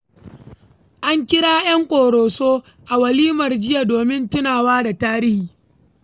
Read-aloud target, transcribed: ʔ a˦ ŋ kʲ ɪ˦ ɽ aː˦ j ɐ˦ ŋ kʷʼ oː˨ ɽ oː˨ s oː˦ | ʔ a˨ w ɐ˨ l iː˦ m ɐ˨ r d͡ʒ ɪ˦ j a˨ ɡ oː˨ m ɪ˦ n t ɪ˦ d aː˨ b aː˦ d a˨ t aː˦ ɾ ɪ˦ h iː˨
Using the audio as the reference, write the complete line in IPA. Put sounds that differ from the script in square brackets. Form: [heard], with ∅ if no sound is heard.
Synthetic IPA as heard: ʔ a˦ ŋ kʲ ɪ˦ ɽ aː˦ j ɐ˦ ŋ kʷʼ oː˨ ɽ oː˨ s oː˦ | ʔ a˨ w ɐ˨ l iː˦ m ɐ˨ r d͡ʒ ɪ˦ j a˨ [d] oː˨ m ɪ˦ n t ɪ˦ [n] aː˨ [w] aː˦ d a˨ t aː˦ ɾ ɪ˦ h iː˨